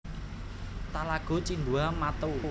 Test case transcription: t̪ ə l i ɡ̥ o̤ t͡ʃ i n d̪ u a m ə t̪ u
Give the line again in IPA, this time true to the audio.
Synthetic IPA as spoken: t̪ a l a ɡ̥ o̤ t͡ʃ i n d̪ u a m a t̪ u